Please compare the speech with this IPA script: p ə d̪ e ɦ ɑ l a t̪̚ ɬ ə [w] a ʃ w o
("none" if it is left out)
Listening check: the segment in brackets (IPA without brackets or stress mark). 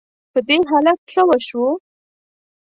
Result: w